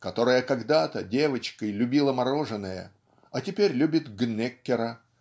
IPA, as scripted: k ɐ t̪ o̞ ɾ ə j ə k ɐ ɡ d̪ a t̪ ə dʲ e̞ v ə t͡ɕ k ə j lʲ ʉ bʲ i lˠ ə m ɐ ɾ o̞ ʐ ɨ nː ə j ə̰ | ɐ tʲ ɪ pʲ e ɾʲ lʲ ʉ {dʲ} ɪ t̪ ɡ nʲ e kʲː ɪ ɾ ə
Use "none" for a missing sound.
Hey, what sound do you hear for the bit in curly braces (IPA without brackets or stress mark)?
bʲ